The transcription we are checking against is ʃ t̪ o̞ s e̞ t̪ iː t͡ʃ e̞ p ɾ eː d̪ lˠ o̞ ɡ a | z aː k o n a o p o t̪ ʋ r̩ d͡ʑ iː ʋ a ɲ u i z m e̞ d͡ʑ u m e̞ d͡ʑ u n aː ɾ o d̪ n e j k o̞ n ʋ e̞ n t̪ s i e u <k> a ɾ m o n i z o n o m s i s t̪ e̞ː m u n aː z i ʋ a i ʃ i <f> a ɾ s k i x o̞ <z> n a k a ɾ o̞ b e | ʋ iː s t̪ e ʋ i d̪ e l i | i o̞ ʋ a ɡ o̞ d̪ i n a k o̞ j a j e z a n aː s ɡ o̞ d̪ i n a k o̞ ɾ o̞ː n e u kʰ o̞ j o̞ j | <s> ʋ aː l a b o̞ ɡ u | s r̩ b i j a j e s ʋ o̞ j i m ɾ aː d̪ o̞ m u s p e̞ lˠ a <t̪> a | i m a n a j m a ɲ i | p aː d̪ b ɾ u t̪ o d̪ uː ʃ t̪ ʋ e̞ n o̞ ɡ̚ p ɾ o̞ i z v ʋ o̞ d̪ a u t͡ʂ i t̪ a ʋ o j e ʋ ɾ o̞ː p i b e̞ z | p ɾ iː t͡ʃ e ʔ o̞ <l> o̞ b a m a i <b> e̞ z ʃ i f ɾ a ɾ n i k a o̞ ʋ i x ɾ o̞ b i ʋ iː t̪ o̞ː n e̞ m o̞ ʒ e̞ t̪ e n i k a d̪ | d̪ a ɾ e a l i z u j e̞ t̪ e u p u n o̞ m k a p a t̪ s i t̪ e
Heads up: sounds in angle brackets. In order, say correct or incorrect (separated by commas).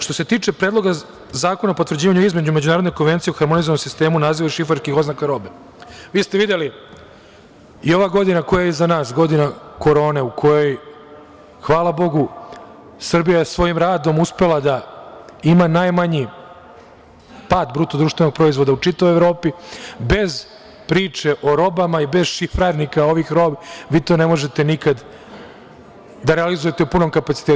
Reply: incorrect, correct, correct, incorrect, incorrect, incorrect, correct